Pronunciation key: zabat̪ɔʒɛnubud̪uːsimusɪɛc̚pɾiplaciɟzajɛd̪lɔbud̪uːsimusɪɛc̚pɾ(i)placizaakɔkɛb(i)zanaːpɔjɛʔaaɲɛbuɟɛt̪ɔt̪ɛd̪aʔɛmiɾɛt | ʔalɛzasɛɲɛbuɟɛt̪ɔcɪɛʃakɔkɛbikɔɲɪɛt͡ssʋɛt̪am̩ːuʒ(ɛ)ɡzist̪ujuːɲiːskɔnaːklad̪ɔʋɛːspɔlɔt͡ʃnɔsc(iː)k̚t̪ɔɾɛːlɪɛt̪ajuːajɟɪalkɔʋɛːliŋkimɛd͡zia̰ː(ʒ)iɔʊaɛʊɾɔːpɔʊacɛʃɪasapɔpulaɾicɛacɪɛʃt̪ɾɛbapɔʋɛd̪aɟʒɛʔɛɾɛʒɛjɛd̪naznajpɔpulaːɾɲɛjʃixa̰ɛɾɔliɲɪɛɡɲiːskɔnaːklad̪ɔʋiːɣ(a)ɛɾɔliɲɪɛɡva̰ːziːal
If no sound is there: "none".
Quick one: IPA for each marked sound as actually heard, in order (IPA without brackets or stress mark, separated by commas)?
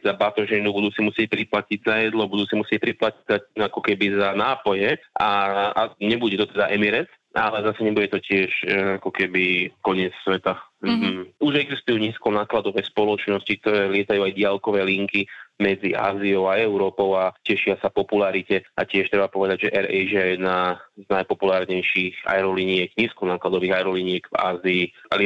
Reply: i, i, ɛ, i, z, a